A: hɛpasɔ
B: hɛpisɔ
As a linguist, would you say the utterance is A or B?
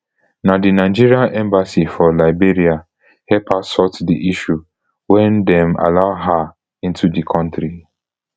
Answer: A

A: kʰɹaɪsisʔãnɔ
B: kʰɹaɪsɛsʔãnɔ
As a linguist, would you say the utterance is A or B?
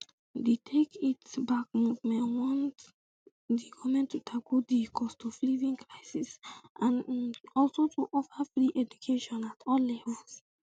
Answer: A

